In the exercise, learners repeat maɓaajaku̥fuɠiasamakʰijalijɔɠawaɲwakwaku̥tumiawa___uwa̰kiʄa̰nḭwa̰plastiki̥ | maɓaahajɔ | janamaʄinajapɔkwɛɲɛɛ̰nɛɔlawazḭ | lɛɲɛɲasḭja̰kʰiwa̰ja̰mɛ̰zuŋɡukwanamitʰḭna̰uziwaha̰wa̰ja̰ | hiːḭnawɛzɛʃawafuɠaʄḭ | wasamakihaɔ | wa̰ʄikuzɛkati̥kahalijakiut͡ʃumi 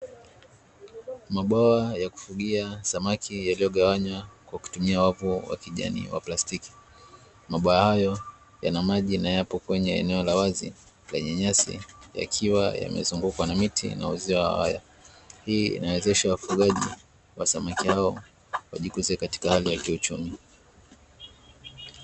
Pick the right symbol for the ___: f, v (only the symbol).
v